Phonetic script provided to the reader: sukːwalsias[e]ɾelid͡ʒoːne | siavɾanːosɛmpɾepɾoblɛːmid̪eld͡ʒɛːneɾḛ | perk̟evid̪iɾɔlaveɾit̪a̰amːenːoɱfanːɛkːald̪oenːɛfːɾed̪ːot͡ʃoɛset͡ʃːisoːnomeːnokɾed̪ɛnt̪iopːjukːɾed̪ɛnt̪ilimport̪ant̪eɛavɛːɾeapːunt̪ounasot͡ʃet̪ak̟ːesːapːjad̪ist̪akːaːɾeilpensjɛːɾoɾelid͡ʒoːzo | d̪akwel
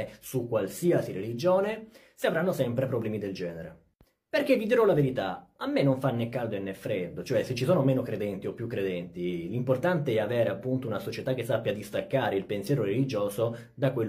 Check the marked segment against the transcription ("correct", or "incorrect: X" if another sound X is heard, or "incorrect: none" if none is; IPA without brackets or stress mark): incorrect: i